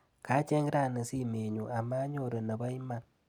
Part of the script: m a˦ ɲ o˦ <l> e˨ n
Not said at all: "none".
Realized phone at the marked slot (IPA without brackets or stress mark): ɾ